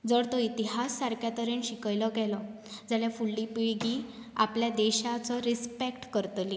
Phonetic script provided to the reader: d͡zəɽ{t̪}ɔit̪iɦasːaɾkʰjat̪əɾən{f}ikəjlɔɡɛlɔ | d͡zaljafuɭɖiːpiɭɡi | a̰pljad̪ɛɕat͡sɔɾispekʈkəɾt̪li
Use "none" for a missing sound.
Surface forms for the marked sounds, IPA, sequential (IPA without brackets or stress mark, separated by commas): t̪, ɕ